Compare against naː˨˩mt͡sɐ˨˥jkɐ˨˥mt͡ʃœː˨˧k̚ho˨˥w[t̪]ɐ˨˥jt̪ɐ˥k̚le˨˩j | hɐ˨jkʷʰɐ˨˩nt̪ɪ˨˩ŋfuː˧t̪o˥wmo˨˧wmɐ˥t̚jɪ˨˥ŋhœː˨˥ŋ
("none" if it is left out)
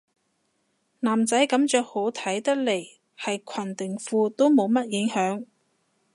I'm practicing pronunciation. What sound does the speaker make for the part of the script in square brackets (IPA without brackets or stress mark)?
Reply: t̪ʰ